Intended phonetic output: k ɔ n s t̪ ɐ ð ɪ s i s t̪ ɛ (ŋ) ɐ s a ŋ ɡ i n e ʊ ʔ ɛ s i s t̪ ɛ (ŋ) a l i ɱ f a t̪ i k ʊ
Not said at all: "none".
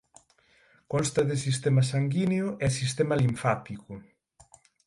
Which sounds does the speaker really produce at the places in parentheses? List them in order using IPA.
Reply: m, m

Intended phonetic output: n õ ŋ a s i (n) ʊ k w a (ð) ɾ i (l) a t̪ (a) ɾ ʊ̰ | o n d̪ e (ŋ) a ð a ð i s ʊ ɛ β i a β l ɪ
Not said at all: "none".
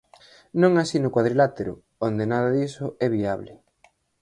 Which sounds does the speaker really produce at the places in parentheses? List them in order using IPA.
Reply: n, ð, l, e, n

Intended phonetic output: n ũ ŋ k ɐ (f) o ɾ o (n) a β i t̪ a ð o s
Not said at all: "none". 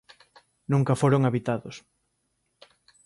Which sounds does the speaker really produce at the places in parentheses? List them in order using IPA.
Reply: f, ŋ

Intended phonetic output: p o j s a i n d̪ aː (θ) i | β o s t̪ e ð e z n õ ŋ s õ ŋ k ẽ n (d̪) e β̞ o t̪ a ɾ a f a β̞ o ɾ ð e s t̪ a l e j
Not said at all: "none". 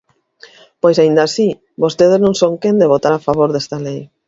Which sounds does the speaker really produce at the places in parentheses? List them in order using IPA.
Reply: s, d̪

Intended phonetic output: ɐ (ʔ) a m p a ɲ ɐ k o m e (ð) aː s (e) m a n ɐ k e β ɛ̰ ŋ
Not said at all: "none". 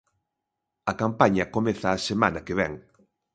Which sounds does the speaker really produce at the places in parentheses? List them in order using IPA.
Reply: k, θ, e

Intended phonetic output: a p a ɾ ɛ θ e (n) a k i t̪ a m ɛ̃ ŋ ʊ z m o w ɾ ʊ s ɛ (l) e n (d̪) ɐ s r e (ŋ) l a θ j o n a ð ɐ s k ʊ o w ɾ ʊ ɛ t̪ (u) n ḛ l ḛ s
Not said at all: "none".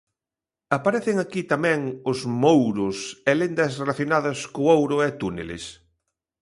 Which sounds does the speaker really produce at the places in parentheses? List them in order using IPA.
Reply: ŋ, l, d̪, none, u

